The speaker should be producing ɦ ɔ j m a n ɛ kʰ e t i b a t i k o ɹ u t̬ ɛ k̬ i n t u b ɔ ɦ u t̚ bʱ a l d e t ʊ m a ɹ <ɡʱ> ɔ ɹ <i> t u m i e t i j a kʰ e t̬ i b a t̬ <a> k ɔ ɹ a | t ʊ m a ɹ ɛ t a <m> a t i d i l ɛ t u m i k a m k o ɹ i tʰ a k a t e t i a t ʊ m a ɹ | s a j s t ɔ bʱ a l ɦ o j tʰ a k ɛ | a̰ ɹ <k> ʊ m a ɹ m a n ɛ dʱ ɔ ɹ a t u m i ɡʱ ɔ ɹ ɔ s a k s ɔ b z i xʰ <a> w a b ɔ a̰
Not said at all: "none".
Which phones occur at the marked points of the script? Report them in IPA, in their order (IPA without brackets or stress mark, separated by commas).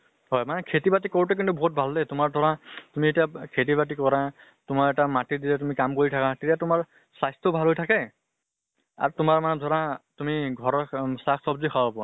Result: dʱ, a, i, m, t, a